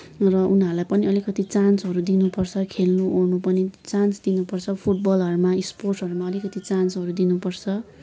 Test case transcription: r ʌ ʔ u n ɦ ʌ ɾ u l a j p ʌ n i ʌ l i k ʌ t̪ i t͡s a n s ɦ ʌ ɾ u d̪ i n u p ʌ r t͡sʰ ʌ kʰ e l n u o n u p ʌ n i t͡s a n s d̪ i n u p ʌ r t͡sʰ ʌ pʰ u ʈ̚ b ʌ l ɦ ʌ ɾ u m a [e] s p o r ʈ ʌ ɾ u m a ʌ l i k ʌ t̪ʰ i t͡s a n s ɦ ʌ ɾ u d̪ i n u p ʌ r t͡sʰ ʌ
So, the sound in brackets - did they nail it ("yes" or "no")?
no